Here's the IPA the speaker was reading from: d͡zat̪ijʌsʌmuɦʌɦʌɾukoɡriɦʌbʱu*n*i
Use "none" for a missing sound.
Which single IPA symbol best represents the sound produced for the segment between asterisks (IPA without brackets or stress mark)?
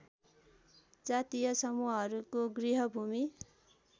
m